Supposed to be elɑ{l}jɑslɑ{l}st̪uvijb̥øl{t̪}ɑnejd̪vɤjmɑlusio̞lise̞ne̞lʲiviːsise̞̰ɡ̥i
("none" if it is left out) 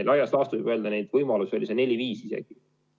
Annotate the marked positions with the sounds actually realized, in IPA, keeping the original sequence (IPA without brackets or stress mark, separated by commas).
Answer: none, none, d̪